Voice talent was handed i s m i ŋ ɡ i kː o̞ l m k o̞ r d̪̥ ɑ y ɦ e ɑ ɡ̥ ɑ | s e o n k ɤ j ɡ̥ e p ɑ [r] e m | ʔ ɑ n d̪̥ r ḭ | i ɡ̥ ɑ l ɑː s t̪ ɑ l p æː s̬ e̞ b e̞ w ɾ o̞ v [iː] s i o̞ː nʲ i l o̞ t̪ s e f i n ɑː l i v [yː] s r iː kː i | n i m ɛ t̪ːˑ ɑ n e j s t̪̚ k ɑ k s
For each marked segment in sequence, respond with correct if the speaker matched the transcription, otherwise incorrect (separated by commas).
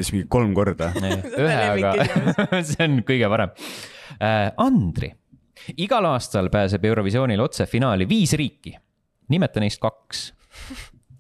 incorrect, incorrect, incorrect